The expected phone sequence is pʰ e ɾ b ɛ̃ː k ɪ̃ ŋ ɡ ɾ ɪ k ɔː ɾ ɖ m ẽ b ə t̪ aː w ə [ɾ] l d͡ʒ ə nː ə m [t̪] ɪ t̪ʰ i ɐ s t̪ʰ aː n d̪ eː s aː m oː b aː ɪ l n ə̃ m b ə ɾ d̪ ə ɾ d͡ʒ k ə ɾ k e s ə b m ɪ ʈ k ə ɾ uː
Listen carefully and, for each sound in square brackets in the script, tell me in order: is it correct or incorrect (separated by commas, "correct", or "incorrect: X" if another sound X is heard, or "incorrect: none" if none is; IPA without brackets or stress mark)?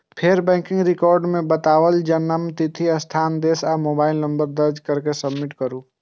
incorrect: none, correct